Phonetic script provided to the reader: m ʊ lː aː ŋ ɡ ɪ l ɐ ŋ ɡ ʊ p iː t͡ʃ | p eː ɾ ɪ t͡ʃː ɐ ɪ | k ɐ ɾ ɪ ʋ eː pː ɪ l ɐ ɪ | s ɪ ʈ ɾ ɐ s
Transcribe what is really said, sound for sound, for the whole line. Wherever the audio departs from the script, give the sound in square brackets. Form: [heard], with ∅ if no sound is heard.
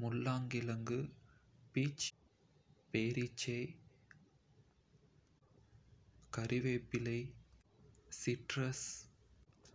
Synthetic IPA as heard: m ʊ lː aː ŋ ɡ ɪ l ɐ ŋ ɡ [ɯ] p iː t͡ʃ | p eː ɾ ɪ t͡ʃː ɐ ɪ | k ɐ ɾ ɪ ʋ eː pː ɪ l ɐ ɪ | s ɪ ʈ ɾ ɐ s